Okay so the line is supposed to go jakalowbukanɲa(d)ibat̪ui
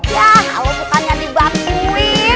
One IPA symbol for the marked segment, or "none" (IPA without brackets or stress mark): d